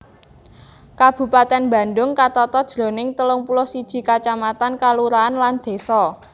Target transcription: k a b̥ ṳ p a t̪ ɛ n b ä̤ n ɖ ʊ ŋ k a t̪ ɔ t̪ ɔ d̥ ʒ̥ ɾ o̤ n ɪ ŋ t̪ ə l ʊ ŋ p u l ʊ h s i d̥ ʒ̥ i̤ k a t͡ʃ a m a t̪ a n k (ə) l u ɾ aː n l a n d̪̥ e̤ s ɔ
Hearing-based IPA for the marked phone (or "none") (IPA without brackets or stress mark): a